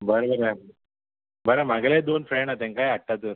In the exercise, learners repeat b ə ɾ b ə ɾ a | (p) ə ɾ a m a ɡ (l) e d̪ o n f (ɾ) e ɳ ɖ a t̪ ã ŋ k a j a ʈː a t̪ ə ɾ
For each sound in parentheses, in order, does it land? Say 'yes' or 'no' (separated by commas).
no, yes, yes